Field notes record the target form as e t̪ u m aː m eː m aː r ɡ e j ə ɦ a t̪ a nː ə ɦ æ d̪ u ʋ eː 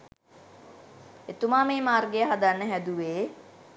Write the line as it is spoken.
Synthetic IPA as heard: e t̪ u m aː m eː m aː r ɡ e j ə ɦ a d̪ a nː ə ɦ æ d̪ u ʋ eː